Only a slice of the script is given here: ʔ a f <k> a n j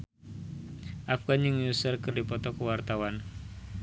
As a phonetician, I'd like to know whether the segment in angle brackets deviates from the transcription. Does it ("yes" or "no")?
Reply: yes